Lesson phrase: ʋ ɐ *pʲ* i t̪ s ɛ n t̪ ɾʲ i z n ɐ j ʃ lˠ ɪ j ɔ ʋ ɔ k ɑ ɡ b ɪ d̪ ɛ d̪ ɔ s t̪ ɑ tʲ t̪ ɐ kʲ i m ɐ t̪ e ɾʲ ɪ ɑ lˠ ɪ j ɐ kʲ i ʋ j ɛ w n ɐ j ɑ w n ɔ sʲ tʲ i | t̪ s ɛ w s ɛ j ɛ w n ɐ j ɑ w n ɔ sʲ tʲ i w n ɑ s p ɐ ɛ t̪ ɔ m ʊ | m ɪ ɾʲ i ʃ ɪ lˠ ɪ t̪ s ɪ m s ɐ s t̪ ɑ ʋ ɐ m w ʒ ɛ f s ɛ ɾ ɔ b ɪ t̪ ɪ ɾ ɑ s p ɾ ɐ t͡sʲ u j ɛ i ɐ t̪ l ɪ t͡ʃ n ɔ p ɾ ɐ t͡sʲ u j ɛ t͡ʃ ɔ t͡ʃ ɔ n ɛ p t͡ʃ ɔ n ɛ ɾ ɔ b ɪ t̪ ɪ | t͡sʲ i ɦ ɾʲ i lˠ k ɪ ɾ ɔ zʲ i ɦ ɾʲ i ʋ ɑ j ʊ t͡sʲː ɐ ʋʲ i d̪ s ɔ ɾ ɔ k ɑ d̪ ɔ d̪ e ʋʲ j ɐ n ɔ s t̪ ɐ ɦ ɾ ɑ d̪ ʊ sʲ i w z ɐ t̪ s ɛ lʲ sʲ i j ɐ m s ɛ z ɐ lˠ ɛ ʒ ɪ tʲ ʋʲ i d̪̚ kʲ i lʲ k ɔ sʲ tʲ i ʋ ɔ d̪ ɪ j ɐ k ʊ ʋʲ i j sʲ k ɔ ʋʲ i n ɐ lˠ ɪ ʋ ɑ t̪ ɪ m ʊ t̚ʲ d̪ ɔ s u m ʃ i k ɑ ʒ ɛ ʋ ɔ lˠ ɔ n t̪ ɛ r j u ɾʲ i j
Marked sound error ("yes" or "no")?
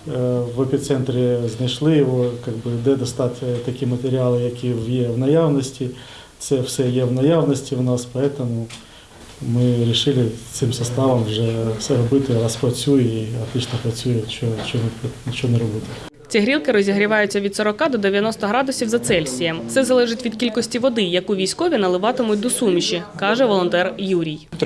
no